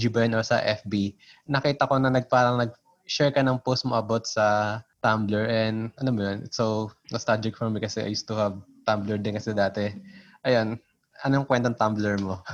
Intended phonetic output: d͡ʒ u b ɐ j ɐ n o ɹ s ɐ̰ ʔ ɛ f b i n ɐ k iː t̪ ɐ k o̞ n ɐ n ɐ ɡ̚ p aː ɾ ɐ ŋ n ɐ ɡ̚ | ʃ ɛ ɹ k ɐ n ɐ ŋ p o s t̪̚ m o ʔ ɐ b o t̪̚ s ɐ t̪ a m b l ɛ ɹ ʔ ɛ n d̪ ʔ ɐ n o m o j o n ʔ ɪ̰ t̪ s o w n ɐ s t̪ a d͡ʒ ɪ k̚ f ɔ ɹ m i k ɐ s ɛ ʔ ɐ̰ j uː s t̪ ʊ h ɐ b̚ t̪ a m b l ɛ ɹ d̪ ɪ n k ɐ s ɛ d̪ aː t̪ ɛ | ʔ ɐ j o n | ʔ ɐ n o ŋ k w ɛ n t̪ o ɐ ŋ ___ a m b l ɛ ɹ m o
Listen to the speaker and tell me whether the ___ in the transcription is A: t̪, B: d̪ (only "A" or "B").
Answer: A